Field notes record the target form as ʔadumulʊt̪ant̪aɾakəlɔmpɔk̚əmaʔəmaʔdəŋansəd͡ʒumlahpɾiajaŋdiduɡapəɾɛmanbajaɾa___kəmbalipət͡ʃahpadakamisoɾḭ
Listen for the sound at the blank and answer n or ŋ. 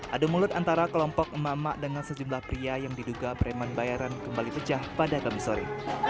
n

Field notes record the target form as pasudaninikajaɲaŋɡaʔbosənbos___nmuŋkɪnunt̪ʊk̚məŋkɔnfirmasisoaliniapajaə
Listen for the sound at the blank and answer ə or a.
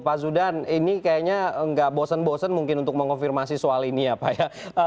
ə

